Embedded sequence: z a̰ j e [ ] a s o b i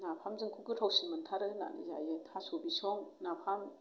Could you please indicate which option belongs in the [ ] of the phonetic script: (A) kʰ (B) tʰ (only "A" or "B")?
B